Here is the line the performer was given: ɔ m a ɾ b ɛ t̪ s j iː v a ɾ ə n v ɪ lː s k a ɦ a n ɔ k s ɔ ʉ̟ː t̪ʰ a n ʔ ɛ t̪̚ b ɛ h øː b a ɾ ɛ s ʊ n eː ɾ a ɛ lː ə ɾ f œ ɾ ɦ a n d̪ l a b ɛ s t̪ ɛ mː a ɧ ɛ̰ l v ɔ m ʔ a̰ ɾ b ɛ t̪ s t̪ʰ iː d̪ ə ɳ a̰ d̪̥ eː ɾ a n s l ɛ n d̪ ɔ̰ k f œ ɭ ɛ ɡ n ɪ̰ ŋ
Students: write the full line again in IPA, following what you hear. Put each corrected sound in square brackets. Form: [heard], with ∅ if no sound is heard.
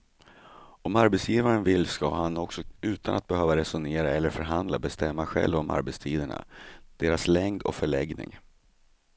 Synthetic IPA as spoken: ɔ m a ɾ b ɛ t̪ s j iː v a ɾ ə n v ɪ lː s k a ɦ a n ɔ k s ɔ ʉ̟ː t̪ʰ a n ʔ [a] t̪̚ b ɛ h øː [v] a ɾ ɛ s ʊ n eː ɾ a ɛ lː ə ɾ f œ ɾ ɦ a n d̪ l a b ɛ s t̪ ɛ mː a ɧ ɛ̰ l v ɔ m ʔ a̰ ɾ b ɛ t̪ s t̪ʰ iː d̪ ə ɳ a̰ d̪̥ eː ɾ a [∅] s l ɛ [ŋ] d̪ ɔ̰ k f œ ɭ ɛ ɡ n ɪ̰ ŋ